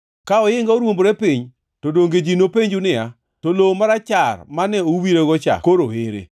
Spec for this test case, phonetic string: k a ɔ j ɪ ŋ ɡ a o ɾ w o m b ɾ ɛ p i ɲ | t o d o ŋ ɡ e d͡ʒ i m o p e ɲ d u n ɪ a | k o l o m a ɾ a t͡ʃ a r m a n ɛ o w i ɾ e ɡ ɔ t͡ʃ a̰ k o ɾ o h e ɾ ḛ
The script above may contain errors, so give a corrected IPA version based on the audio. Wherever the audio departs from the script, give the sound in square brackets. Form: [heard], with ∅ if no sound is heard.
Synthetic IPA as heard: k a ɔ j ɪ ŋ ɡ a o ɾ w o m b ɾ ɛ p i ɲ | t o d o ŋ ɡ e d͡ʒ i [n] o p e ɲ [d͡ʒ] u n ɪ a | [t] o l o m a ɾ a t͡ʃ a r m a n ɛ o w i ɾ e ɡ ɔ t͡ʃ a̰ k o ɾ o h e ɾ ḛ